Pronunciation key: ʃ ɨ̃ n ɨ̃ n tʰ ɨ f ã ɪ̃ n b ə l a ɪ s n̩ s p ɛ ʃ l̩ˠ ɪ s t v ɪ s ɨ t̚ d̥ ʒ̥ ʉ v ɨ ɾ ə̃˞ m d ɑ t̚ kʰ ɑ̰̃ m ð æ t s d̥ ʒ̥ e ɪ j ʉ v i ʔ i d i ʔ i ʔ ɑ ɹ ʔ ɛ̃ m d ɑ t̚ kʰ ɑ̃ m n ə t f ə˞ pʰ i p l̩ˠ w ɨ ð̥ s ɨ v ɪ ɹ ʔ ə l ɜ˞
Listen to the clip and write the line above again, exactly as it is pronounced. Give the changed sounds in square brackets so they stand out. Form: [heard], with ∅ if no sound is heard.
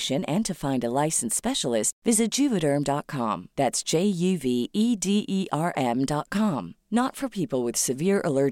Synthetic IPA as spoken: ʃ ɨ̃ n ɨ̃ n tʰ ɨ f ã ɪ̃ n [d] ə l a ɪ s n̩ s p ɛ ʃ l̩ˠ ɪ s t v ɪ [z] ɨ t̚ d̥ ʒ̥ ʉ v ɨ ɾ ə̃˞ m d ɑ t̚ kʰ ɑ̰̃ m ð æ t s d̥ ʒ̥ e ɪ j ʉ v i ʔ i d i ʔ i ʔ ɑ ɹ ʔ ɛ̃ m d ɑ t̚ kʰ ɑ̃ m n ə t f ə˞ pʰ i p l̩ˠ w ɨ ð̥ s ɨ v ɪ ɹ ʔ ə l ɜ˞